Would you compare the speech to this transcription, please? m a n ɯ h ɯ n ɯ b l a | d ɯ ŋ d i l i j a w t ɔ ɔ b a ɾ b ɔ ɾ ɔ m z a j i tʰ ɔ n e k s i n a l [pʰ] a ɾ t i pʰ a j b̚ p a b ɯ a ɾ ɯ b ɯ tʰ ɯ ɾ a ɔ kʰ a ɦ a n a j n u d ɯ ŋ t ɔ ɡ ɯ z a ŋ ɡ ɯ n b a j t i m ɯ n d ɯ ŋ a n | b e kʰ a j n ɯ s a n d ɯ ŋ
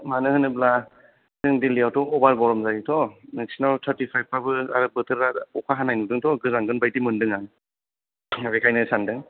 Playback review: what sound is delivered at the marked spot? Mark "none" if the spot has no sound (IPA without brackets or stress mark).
tʰ